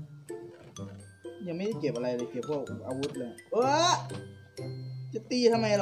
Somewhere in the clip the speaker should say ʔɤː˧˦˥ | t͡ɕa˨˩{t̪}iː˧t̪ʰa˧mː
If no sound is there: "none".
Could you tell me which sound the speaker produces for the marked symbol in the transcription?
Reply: t̪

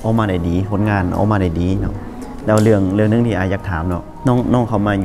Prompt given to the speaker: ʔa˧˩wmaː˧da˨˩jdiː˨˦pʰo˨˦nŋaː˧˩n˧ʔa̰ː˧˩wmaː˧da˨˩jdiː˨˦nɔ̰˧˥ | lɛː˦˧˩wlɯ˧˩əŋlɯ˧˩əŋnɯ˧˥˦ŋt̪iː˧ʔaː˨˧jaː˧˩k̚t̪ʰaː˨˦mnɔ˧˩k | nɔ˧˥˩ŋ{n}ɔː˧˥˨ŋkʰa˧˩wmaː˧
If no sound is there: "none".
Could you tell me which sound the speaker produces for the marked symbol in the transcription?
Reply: n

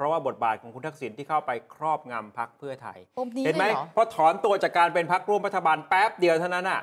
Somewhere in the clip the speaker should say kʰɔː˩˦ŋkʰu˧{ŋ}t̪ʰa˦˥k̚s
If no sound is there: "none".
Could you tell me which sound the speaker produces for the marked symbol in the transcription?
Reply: n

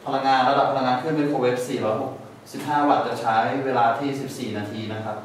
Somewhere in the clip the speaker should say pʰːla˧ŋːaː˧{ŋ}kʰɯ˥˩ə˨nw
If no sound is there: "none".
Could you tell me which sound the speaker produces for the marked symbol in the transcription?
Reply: n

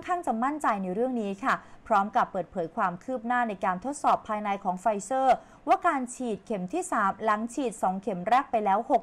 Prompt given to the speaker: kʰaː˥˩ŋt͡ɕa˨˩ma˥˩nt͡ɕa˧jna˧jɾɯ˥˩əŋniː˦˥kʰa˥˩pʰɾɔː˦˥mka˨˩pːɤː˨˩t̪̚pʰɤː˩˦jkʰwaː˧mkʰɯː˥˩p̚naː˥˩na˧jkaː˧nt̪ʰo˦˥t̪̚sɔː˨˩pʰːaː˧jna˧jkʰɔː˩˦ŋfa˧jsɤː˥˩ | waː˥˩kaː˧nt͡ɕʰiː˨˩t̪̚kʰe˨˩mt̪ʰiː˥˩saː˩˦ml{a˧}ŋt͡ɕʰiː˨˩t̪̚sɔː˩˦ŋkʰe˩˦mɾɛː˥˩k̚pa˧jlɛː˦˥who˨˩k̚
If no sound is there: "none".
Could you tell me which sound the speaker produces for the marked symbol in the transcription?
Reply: a˩˦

